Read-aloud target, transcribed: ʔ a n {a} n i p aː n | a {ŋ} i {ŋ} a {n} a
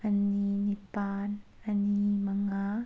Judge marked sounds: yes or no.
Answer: no, no, no, no

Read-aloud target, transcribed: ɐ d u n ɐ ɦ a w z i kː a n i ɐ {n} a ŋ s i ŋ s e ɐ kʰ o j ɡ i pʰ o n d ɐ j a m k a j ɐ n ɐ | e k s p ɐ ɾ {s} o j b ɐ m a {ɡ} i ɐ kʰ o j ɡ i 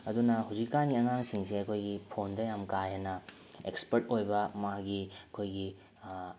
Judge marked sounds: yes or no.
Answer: no, no, yes

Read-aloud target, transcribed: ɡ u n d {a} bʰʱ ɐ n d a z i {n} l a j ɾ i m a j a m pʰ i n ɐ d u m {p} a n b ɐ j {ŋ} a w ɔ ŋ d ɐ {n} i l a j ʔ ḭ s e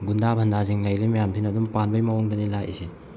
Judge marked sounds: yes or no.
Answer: yes, no, yes, no, yes

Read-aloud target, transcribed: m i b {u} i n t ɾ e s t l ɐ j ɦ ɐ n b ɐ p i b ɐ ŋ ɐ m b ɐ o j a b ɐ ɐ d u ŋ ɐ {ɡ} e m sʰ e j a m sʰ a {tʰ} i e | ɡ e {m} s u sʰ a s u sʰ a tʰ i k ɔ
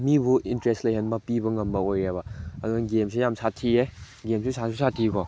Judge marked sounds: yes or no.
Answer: yes, yes, yes, yes

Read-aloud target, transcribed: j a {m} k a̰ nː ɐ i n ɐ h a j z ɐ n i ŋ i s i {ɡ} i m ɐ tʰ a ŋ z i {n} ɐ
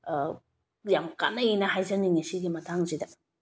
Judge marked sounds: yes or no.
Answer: yes, yes, no

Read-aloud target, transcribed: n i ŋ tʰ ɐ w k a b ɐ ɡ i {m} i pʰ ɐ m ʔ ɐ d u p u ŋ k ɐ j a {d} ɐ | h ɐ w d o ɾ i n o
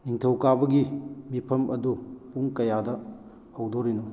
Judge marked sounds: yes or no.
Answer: yes, yes

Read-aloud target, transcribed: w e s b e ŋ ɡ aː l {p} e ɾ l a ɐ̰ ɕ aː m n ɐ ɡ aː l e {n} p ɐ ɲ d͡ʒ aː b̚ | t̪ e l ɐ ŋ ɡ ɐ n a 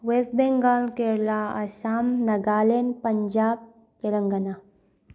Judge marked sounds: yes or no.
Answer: no, yes

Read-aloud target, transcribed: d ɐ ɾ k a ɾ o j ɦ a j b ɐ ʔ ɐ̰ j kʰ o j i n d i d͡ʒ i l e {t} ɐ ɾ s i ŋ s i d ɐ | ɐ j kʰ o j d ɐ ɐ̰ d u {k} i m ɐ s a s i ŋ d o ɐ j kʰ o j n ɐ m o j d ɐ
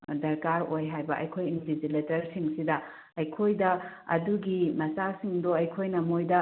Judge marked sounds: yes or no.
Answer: yes, no

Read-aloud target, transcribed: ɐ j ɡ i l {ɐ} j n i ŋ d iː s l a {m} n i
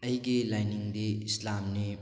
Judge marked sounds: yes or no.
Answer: no, yes

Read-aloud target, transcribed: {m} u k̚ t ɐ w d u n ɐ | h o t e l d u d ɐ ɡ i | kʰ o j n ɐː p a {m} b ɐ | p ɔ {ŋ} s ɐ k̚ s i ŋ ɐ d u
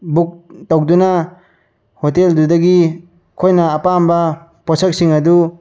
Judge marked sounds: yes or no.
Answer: no, yes, no

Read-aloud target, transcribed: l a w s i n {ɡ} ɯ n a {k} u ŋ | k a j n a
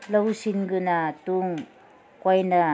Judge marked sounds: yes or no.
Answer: yes, no

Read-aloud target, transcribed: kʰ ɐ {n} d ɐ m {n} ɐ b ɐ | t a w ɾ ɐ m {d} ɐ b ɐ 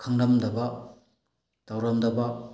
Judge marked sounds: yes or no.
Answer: no, no, yes

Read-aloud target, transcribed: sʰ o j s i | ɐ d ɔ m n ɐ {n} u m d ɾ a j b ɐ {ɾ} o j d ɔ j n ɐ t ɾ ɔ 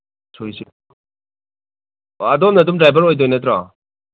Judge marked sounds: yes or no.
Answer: no, yes

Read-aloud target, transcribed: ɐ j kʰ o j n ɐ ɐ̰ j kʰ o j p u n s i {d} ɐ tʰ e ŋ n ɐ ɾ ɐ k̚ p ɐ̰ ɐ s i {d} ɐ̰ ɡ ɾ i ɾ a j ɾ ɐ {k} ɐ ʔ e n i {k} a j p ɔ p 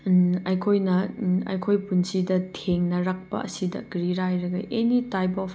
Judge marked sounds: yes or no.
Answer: yes, yes, no, no

